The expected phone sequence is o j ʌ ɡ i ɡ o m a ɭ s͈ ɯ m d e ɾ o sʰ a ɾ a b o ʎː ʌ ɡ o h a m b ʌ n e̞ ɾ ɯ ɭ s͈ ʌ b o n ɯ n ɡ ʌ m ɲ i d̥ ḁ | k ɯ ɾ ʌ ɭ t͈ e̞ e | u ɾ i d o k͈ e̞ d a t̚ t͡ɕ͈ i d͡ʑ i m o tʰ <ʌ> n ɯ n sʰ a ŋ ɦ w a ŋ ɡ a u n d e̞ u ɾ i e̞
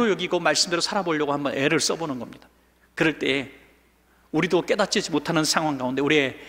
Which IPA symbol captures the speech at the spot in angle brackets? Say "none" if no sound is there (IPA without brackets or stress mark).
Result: a